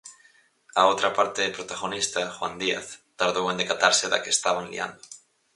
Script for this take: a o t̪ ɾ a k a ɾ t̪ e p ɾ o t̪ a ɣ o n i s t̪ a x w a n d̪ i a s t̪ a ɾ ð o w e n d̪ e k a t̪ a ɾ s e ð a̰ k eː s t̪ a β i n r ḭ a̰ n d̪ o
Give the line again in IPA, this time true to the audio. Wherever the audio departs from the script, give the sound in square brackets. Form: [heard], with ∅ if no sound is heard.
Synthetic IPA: a o t̪ ɾ a [p] a ɾ t̪ e p ɾ o t̪ a ɣ o n i s t̪ a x w a n d̪ i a [θ] t̪ a ɾ ð o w e n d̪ e k a t̪ a ɾ s e ð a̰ k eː s t̪ a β [a] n [l] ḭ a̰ n d̪ o